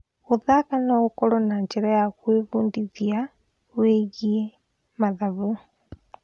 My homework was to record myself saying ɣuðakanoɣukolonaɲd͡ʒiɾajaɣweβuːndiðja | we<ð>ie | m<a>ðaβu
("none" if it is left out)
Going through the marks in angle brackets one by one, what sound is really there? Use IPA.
ɣ, a

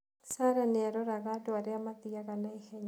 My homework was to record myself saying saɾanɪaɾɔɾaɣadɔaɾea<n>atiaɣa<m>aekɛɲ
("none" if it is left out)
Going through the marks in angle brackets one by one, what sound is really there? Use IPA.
m, n

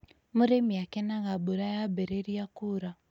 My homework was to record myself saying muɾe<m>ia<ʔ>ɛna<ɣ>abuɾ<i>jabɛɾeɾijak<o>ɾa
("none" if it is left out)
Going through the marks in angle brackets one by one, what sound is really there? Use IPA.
m, k, ɣ, a, u

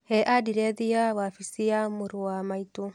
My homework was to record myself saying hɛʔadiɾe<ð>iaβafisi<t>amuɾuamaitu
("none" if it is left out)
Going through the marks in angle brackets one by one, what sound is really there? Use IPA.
ð, none

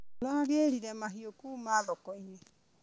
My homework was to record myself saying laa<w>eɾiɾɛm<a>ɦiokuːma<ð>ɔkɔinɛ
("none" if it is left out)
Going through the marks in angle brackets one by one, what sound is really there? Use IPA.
ɣ, a, ð

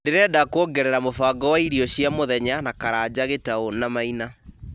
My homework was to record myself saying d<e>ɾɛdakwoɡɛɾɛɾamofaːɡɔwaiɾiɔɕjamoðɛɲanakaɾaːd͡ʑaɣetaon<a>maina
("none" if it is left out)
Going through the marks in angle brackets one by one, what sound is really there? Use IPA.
e, a

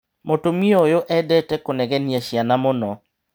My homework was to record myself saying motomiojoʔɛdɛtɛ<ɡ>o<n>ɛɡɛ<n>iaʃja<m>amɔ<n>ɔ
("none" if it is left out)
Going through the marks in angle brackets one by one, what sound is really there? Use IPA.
k, n, n, n, n

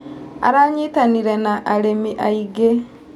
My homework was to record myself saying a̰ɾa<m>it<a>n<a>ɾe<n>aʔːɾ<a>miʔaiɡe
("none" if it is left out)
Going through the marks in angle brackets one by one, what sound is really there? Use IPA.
ɲ, a, i, n, e

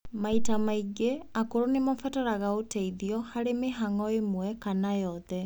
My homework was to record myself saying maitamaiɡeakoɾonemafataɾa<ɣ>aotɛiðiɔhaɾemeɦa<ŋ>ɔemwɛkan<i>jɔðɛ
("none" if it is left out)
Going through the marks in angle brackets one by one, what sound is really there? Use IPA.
ɣ, ŋ, a

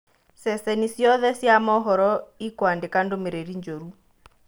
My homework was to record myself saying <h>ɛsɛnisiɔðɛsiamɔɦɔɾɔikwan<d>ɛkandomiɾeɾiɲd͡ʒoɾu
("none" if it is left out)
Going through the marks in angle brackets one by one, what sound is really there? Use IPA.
s, d

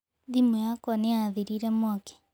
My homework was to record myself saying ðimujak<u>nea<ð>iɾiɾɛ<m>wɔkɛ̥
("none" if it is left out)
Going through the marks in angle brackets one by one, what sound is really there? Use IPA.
ɔ, ð, m

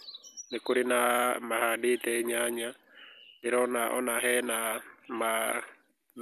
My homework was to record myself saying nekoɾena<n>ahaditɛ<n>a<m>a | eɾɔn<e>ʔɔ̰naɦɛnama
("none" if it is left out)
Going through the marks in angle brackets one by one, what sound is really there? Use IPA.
m, ɲ, ɲ, a

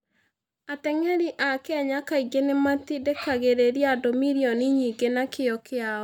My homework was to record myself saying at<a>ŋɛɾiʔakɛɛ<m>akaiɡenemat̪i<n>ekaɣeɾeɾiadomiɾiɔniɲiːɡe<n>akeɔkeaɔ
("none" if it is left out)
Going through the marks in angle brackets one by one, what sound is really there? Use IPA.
ɛ, ɲ, d, n

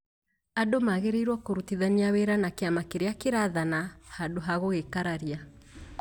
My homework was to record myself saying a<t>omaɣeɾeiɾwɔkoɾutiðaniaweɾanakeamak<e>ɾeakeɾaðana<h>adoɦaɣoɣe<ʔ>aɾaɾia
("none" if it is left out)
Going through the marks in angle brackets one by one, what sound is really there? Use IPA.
d, e, h, k

